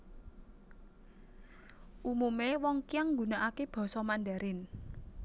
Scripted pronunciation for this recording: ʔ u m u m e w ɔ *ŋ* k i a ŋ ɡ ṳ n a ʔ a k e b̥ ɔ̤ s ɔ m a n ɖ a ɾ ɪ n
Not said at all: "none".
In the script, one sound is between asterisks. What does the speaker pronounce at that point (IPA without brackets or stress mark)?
ŋ